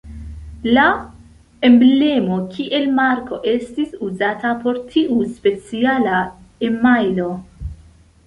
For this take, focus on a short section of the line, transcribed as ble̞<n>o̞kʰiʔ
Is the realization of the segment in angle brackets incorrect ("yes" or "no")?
yes